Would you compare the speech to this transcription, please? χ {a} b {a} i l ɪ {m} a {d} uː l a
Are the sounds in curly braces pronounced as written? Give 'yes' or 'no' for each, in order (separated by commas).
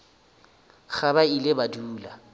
yes, yes, no, yes